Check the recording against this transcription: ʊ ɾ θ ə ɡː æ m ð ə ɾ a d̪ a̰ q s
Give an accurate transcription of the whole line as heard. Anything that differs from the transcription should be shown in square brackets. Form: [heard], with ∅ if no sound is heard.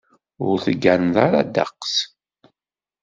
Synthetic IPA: ʊ ɾ θ ə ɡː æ [n] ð [a] ɾ a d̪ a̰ q s